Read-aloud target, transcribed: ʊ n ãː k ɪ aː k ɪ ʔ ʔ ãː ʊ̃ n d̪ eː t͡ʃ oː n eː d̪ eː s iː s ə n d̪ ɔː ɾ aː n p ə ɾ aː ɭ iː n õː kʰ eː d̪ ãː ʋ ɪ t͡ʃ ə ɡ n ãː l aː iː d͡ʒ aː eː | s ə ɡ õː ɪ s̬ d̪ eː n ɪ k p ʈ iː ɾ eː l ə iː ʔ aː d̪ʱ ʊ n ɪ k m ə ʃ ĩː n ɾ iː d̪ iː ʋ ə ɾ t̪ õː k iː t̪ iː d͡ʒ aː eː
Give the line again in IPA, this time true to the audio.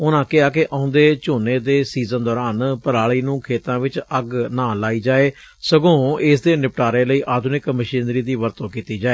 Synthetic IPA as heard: ʊ n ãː k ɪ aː k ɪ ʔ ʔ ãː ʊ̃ n d̪ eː t͡ʃ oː n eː d̪ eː s iː z ə n d̪ ɔː ɾ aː n p ə ɾ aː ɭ iː n ũː kʰ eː t̪ ãː ʋ ɪ t͡ʃ ə ɡ n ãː l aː iː d͡ʒ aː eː | s ə ɡ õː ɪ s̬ d̪ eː n ɪ p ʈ aː ɾ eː l ə iː ʔ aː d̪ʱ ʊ n ɪ k m ə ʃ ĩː n ɾ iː d̪ iː ʋ ə ɾ t̪ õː k iː t̪ iː d͡ʒ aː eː

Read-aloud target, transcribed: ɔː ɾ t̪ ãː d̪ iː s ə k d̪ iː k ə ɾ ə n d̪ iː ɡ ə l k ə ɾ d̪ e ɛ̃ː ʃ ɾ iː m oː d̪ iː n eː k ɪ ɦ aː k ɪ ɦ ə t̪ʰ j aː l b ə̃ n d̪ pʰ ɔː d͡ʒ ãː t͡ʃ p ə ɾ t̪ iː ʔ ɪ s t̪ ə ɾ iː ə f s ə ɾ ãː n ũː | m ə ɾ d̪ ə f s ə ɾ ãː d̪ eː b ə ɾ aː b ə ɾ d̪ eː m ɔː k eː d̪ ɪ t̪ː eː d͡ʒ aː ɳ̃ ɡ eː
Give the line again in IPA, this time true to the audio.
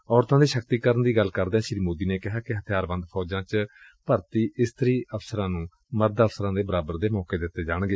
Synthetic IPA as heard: ɔː ɾ t̪ ãː d̪ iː ʃ ə k t̪ iː k ə ɾ ə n d̪ iː ɡ ə l k ə ɾ d̪ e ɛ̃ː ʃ ɾ iː m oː d̪ iː n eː k ɪ ɦ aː k ɪ ɦ ə t̪ʰ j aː ɾ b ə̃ n d̪ pʰ ɔː d͡ʒ ãː t͡ʃ p ə ɾ t̪ iː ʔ ɪ s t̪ ə ɾ iː ə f s ə ɾ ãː n ũː | m ə ɾ d̪ ə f s ə ɾ ãː d̪ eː b ə ɾ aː b ə ɾ d̪ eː m ɔː k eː d̪ ɪ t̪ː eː d͡ʒ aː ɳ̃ ɡ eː

